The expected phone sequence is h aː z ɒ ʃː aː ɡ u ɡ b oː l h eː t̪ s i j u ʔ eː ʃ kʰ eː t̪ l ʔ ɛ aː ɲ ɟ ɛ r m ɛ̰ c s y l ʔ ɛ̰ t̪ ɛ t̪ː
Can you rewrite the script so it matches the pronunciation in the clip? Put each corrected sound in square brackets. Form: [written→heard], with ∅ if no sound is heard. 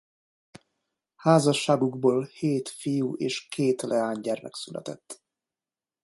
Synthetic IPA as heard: h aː z ɒ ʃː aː ɡ u ɡ b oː l h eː t̪ [s→f] i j u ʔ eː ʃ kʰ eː t̪ l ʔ ɛ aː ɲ ɟ ɛ r m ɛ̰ [c→k] s y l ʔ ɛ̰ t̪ ɛ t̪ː

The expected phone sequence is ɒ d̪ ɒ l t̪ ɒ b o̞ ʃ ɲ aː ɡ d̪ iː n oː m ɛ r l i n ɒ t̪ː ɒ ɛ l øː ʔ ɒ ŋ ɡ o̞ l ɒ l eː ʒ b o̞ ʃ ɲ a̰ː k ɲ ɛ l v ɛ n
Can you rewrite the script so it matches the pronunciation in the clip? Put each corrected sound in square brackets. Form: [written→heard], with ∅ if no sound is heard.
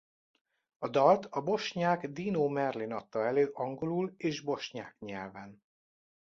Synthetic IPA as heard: ɒ d̪ ɒ l t̪ ɒ b o̞ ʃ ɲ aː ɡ d̪ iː n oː m ɛ r l i n ɒ t̪ː ɒ ɛ l øː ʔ ɒ ŋ ɡ o̞ l [ɒ→u] l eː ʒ b o̞ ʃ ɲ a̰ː k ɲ ɛ l v ɛ n

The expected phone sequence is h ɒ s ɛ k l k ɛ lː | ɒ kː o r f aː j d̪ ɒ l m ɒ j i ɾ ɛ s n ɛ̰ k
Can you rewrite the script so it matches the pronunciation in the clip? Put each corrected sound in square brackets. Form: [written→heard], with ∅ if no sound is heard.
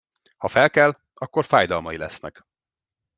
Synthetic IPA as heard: h ɒ [s→f] ɛ [k→∅] l k ɛ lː | ɒ kː o r f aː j d̪ ɒ l m ɒ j i [ɾ→l] ɛ s n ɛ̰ k

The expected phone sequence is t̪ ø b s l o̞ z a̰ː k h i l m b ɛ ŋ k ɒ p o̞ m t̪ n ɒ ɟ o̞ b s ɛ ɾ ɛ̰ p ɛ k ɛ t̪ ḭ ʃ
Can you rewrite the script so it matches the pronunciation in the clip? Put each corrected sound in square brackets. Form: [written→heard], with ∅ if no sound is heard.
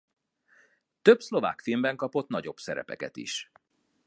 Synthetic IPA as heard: t̪ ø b s l o̞ [z→v] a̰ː k [h→f] i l m b ɛ ŋ k ɒ p o̞ [m→∅] t̪ n ɒ ɟ o̞ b s ɛ ɾ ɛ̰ p ɛ k ɛ t̪ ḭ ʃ

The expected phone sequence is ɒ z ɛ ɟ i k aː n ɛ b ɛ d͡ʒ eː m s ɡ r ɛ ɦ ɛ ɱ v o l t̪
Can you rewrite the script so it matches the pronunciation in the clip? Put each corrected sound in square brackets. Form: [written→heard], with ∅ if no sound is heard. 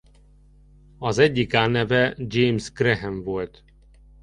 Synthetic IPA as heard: ɒ z ɛ [ɟ→ɟː] i k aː n ɛ [b→v] ɛ d͡ʒ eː m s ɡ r ɛ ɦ ɛ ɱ v o l t̪

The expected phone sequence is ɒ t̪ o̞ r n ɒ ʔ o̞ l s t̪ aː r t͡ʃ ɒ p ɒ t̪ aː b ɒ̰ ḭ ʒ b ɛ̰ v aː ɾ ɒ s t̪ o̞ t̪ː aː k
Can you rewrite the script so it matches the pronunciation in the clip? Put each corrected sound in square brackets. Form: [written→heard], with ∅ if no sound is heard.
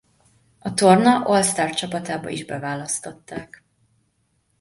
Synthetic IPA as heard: ɒ t̪ o̞ r n ɒ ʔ o̞ l s t̪ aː r t͡ʃ ɒ p ɒ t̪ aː b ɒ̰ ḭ ʒ b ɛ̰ v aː [ɾ→l] ɒ s t̪ o̞ t̪ː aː k

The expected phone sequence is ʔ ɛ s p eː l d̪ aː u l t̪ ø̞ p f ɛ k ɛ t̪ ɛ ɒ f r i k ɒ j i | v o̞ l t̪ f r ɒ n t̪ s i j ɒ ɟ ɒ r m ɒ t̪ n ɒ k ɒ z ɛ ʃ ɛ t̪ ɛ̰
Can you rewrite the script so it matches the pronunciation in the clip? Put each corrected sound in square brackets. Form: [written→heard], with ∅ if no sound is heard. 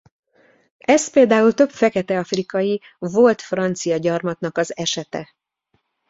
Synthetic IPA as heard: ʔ ɛ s p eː l d̪ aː u l t̪ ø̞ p f ɛ k ɛ t̪ ɛ ɒ f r i k ɒ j i | v o̞ l t̪ f r ɒ n t̪ s i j ɒ ɟ ɒ r m ɒ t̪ n ɒ k ɒ z ɛ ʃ ɛ t̪ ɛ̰

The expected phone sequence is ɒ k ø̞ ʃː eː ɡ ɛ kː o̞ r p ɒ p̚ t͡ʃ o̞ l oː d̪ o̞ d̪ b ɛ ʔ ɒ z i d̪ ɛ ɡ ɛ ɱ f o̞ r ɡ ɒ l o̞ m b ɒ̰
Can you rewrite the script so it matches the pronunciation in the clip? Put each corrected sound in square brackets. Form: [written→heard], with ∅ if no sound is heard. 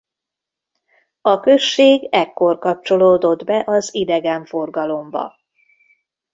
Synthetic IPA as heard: ɒ k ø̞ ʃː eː ɡ ɛ kː o̞ r [p→k] ɒ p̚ t͡ʃ o̞ l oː d̪ o̞ d̪ b ɛ ʔ ɒ z i d̪ ɛ ɡ ɛ ɱ f o̞ r ɡ ɒ l o̞ m b ɒ̰

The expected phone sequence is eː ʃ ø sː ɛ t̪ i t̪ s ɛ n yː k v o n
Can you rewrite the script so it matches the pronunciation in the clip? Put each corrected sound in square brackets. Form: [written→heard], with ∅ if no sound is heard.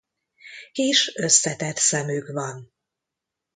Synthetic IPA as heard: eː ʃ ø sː ɛ t̪ [i→ɛ] t̪ s ɛ [n→m] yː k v [o→ɒ] n

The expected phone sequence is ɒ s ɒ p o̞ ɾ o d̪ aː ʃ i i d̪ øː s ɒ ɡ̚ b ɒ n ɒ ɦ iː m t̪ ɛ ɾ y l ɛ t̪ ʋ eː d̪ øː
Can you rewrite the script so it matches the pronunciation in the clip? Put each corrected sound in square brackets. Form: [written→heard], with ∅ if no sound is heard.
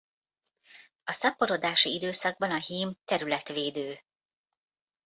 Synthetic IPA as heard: ɒ s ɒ p o̞ ɾ o d̪ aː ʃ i i d̪ øː s ɒ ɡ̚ b ɒ n ɒ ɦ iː m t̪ ɛ ɾ y l ɛ t̪ ʋ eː d̪ øː

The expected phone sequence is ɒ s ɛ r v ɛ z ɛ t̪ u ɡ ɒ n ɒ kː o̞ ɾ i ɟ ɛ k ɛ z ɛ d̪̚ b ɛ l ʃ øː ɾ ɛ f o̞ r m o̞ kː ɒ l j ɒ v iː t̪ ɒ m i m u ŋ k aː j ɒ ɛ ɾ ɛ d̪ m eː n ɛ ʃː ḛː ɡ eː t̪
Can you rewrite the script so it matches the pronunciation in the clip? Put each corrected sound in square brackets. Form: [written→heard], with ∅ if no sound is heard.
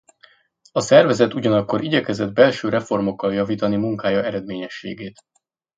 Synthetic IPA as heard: ɒ s ɛ r v ɛ z ɛ t̪ u [ɡ→ɟ] ɒ n ɒ kː o̞ ɾ i ɟ ɛ k ɛ z ɛ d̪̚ b ɛ l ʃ øː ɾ ɛ f o̞ r m o̞ kː ɒ l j ɒ v iː t̪ ɒ [m→n] i m u ŋ k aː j ɒ ɛ ɾ ɛ d̪ m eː [n→ɲ] ɛ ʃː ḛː ɡ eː t̪

